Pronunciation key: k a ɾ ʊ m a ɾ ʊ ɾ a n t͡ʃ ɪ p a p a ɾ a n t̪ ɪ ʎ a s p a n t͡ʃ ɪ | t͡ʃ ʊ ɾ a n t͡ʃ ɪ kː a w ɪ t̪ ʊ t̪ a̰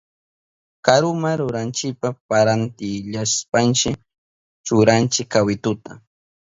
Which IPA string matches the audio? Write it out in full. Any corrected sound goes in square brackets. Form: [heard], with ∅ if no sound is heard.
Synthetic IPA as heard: k a ɾ ʊ m a ɾ ʊ ɾ a n t͡ʃ ɪ p a p a ɾ a n t̪ ɪ ʎ a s p a n t͡ʃ ɪ | t͡ʃ ʊ ɾ a n t͡ʃ ɪ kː a w ɪ t̪ ʊ t̪ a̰